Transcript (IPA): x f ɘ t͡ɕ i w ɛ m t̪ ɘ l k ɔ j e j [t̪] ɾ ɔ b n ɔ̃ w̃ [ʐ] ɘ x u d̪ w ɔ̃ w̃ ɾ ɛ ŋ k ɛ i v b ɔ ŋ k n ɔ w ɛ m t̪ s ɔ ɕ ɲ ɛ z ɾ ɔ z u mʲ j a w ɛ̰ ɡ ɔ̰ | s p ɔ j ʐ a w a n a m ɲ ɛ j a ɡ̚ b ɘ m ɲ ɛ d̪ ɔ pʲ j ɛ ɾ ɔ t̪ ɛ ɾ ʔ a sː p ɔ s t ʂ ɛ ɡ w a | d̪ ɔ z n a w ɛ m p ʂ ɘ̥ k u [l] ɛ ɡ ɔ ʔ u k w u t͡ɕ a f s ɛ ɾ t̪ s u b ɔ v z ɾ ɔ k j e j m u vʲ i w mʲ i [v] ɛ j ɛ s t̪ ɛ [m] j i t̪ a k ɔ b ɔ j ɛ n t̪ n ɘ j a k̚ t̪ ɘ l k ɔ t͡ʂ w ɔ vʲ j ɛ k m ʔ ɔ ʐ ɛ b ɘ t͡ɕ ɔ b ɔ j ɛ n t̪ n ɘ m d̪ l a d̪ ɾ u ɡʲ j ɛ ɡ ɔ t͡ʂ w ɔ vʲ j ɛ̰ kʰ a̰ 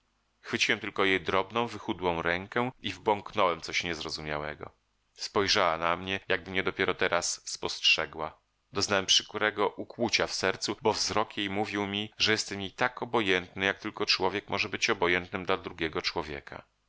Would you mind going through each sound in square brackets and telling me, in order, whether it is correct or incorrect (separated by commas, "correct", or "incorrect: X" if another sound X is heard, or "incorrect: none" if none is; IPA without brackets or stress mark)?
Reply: incorrect: d̪, incorrect: v, incorrect: ɾ, incorrect: ʐ, correct